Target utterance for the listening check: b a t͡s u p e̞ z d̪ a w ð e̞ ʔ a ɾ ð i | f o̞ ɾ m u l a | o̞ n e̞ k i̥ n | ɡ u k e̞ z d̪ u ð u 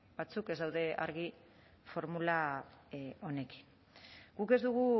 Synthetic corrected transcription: b a t͡s u k e̞ z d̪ a w ð e̞ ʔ a ɾ ɣ i | f o̞ ɾ m u l a | o̞ n e̞ k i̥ n | ɡ u k e̞ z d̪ u ɣ u

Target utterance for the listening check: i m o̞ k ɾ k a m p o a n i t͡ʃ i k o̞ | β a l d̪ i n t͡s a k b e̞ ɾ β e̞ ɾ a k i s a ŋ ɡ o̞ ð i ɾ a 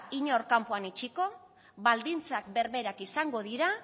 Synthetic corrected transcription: i ɲ o̞ ɾ k a m p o a n i t͡ʃ i k o̞ | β a l d̪ i n t͡s a k b e̞ ɾ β e̞ ɾ a k i s a ŋ ɡ o̞ ð i ɾ a

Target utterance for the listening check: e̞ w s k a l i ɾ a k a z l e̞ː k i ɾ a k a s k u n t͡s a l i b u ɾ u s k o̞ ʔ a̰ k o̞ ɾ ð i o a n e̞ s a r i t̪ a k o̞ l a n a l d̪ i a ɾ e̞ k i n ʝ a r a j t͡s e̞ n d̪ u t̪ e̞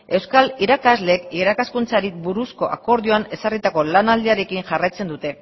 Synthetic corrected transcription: e̞ w s k a l i ɾ a k a z l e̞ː k i ɾ a k a s k u n t͡s a ɾ i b u ɾ u s k o̞ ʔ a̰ k o̞ ɾ ð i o a n e̞ s a r i t̪ a k o̞ l a n a l d̪ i a ɾ e̞ k i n ʝ a r a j t͡s e̞ n d̪ u t̪ e̞

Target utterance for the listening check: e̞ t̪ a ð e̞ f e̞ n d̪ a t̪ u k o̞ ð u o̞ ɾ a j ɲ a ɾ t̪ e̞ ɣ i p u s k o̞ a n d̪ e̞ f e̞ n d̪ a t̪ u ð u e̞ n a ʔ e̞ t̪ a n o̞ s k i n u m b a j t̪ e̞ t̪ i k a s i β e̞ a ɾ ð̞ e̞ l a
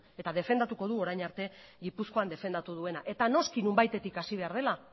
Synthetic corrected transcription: e̞ t̪ a ð e̞ f e̞ n d̪ a t̪ u k o̞ ð u o̞ ɾ a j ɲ a ɾ t̪ e̞ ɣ i p u s k o̞ a n d̪ e̞ f e̞ n d̪ a t̪ u ð u e̞ n a ʔ e̞ t̪ a n o̞ s k i n u m b a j t̪ e̞ t̪ i k a s i β e̞ a ɾ ð̞ e̞ l a

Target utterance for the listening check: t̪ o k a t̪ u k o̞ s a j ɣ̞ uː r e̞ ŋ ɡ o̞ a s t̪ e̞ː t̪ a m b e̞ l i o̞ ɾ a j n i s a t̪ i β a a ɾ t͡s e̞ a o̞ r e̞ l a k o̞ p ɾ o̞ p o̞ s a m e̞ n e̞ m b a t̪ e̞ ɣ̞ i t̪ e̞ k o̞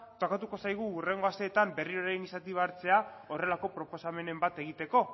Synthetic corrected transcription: t̪ o k a t̪ u k o̞ s a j ɣ̞ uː r e̞ ŋ ɡ o̞ a s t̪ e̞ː t̪ a m b e̞ r i o̞ ɾ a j n i s a t̪ i β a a ɾ t͡s e̞ a o̞ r e̞ l a k o̞ p ɾ o̞ p o̞ s a m e̞ n e̞ m b a t̪ e̞ ɣ̞ i t̪ e̞ k o̞

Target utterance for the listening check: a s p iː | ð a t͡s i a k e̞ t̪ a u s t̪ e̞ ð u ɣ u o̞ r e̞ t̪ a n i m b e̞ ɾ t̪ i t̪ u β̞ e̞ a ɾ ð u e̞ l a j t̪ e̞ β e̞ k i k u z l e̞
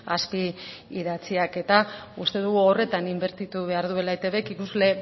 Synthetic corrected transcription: a s p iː | ð a t͡s i a k e̞ t̪ a u s t̪ e̞ ð u ɣ u o̞ r e̞ t̪ a n i m b e̞ ɾ t̪ i t̪ u β̞ e̞ a ɾ ð u e̞ l a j t̪ e̞ β e̞ k i k u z l e̞

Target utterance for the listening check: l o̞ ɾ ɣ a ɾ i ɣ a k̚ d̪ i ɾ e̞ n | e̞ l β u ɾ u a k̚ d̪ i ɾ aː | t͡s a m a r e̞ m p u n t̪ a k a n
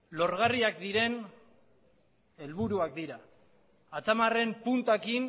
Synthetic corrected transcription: l o̞ ɾ ɣ a r i a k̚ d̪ i ɾ e̞ n | e̞ l β u ɾ u a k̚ d̪ i ɾ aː | t͡s a m a r e̞ m p u n t̪ a k i n

